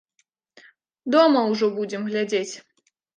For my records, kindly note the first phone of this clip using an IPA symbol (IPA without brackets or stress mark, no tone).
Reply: d̪